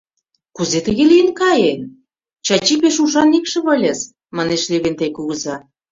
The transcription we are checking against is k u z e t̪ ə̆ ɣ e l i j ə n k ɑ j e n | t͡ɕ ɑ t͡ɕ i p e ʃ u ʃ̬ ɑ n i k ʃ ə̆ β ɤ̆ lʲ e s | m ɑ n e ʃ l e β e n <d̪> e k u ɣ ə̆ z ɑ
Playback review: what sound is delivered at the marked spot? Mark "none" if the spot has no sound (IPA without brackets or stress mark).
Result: t̪